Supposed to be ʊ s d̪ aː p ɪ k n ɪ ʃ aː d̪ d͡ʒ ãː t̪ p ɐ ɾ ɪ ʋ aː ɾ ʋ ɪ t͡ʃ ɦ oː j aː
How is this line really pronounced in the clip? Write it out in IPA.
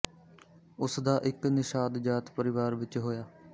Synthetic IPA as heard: ʊ s d̪ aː ʔ ɪ k n ɪ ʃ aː d̪ d͡ʒ aː t̪ p ə ɾ ɪ ʋ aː ɾ ʋ ɪ t͡ʃ ɦ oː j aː